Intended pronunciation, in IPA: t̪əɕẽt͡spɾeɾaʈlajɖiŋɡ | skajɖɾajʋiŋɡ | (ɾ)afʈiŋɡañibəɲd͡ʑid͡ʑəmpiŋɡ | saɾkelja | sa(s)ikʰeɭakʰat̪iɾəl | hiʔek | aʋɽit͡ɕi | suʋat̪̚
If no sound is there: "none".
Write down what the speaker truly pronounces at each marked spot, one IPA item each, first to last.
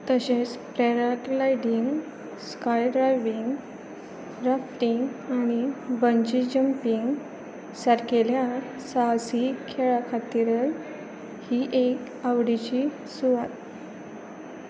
ɾ, s

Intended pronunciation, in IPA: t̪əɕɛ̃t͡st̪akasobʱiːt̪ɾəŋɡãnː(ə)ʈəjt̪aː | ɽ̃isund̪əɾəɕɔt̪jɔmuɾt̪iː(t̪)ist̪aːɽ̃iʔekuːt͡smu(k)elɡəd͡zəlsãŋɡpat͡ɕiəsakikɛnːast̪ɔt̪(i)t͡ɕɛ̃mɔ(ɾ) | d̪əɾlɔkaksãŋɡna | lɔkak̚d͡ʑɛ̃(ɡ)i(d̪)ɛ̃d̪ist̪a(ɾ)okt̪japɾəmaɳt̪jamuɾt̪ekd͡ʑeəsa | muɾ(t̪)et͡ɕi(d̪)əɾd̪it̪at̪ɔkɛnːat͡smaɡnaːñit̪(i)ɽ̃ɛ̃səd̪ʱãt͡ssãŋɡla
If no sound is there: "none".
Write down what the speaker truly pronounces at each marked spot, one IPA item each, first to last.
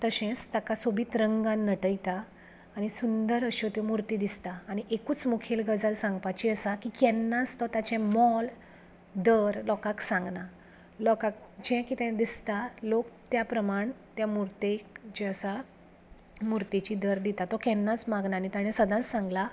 ə, d̪, kʰ, a, l, k, t̪, l, t̪, d̪, a

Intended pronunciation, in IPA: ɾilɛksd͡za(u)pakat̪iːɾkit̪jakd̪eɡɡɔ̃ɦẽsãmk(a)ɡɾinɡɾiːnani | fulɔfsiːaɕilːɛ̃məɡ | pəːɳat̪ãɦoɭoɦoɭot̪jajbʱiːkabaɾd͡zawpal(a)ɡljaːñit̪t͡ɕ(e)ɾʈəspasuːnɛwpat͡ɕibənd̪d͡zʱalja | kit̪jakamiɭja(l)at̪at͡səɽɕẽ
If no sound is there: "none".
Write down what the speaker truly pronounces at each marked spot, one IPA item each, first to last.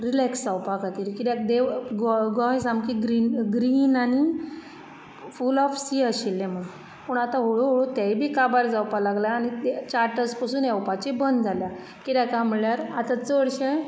w, i, a, a, ɾ

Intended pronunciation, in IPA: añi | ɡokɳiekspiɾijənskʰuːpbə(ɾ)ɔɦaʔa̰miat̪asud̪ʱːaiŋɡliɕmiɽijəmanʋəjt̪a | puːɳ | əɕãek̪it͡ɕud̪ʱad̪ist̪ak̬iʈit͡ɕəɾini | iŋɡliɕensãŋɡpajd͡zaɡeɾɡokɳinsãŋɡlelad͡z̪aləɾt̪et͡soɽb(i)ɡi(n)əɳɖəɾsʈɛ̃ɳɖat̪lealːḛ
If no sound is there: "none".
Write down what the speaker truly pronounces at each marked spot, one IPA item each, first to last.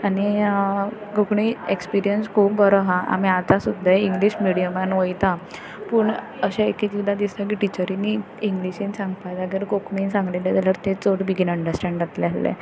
ɾ, i, n

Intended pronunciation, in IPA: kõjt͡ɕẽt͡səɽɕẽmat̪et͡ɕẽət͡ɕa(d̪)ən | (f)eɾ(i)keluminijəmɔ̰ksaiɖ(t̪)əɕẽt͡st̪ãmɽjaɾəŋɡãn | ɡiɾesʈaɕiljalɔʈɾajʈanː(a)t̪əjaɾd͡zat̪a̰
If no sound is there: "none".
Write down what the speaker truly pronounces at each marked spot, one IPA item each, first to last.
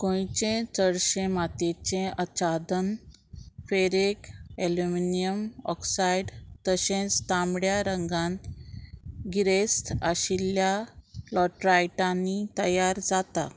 d̪, f, e, t̪, i

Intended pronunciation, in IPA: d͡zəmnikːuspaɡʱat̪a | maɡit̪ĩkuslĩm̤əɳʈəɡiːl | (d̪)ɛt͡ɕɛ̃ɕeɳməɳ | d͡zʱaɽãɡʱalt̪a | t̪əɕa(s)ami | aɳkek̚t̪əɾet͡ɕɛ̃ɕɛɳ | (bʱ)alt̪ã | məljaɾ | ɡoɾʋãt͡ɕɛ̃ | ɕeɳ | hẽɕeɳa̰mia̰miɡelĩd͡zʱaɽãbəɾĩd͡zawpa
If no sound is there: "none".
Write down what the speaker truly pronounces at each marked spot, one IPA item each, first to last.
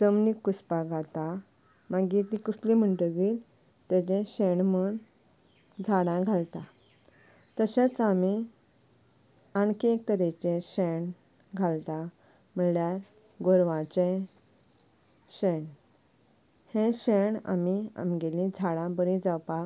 t̪, t͡s, ɡʱ

